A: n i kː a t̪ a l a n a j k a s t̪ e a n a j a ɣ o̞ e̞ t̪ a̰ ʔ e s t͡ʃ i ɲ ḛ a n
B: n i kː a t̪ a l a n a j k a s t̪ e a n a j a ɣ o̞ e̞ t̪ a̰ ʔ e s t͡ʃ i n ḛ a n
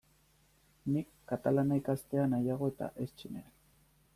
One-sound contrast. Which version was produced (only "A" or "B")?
B